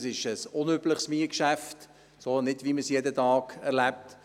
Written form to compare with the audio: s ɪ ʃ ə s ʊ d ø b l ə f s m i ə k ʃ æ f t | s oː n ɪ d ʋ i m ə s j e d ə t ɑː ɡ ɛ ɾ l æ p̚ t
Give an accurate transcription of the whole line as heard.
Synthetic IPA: s ɪ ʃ ə s ʊ n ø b l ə χ s m i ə k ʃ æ f t | s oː n ɪ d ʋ i m ə s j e d ə t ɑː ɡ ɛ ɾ l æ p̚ t